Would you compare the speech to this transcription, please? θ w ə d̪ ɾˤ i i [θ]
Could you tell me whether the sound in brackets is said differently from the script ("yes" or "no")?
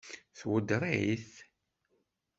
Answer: no